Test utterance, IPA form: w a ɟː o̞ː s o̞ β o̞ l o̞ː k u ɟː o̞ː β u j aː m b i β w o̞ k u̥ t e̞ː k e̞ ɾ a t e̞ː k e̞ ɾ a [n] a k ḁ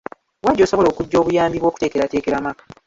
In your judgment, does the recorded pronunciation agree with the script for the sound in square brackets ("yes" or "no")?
no